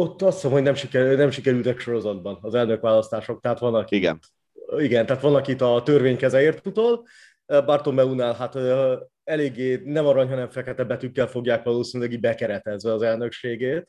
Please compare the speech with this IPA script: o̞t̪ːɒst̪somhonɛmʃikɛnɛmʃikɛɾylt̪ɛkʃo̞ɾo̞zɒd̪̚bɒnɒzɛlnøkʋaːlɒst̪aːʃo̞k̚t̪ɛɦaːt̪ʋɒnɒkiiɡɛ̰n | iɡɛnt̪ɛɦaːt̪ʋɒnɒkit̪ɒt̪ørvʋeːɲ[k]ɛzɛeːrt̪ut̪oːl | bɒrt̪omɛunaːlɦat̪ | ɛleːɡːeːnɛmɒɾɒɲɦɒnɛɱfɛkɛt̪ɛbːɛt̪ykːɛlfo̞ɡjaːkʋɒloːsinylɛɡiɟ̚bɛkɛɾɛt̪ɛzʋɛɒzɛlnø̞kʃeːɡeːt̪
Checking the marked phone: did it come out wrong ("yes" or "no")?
no